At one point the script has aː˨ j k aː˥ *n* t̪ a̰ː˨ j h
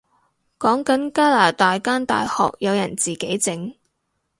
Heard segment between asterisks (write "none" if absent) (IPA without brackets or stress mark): n